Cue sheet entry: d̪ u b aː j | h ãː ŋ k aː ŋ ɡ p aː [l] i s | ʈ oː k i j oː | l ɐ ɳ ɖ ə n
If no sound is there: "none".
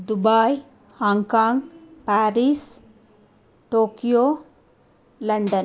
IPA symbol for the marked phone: ɾ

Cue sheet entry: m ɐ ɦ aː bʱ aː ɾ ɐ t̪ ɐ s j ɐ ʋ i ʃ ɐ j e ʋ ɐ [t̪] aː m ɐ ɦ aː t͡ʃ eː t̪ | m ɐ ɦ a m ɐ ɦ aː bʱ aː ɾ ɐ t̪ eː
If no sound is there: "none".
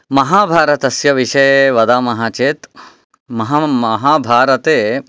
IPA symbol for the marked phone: d̪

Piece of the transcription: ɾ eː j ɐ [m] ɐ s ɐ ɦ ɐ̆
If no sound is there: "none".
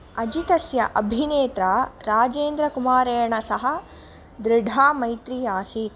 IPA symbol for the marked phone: ɳ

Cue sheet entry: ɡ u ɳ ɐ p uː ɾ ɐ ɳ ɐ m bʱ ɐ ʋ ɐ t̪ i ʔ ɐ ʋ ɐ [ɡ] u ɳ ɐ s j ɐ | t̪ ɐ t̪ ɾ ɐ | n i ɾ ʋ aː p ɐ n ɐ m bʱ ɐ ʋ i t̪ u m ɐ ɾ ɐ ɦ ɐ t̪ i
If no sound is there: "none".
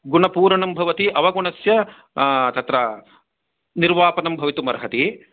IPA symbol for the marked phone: ɡ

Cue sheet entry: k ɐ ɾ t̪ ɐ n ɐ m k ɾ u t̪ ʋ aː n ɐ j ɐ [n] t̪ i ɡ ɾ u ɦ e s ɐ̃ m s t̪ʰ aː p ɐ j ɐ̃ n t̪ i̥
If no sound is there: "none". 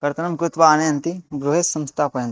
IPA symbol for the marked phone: n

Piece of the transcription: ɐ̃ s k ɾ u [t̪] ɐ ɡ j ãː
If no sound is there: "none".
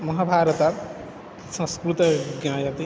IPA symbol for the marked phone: t̪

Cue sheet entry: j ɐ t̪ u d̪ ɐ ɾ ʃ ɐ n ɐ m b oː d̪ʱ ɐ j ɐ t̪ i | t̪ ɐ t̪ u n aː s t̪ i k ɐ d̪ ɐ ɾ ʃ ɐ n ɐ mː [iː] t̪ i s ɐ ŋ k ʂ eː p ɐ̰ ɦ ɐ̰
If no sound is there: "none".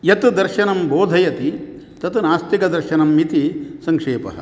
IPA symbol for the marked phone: i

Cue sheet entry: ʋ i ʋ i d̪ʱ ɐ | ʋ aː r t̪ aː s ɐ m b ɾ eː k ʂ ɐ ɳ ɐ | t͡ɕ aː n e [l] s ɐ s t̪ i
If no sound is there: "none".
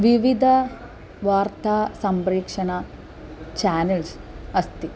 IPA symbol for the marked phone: l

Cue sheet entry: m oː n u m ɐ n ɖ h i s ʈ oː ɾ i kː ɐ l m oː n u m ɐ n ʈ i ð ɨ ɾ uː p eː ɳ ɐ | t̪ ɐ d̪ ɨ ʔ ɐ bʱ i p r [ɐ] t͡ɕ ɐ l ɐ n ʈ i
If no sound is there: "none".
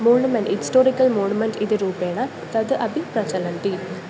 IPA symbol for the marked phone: ɐ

